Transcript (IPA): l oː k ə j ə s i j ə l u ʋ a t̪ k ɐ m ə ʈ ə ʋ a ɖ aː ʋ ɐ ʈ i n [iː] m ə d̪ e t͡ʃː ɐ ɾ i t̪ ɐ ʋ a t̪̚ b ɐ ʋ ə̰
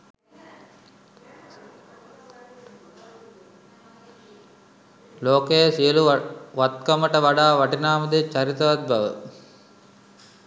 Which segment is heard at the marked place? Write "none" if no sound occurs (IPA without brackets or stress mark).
aː